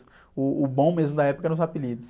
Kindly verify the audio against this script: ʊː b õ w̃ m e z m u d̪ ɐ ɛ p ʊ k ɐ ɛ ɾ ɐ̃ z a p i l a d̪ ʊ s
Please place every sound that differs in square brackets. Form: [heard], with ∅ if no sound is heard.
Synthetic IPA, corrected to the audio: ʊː b õ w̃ m e z m [ʊ] d̪ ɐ ɛ p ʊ k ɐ ɛ ɾ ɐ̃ z a p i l [i] d̪ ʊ s